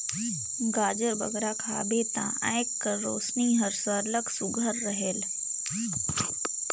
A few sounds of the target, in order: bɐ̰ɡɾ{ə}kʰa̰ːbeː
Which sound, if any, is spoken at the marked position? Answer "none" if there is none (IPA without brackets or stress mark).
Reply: a